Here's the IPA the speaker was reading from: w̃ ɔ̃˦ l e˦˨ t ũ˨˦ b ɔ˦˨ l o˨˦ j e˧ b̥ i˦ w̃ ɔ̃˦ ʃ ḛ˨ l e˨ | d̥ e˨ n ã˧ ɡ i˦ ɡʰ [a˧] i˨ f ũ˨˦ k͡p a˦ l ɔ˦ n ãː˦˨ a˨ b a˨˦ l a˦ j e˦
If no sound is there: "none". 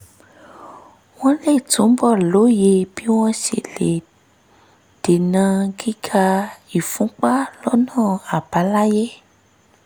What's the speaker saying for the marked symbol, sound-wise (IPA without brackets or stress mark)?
a˧